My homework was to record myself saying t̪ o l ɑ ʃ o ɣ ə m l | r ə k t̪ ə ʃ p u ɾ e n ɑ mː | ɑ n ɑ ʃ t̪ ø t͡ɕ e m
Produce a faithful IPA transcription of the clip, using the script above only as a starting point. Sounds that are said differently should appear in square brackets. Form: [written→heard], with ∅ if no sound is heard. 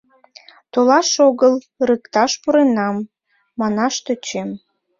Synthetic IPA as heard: t̪ o l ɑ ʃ o ɣ ə [m→∅] l | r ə k t̪ [ə→ɑ] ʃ p u ɾ e n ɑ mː | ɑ n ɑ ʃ t̪ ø t͡ɕ e m